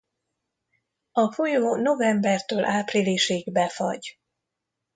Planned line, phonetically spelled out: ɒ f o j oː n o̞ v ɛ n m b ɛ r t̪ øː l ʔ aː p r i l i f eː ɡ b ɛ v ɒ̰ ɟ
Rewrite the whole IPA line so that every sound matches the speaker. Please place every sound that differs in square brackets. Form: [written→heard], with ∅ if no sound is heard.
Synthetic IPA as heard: ɒ f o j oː n o̞ v ɛ [n→∅] m b ɛ r t̪ øː l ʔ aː p r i l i [f→ʃ] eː ɡ b ɛ [v→f] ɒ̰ ɟ